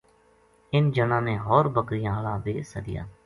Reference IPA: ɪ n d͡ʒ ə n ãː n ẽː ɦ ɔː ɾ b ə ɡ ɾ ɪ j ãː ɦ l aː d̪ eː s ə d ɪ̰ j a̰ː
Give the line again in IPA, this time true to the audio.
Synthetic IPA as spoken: ɪ n d͡ʒ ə n ãː n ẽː ɦ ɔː ɾ b ə k ɾ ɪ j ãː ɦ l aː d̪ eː s ə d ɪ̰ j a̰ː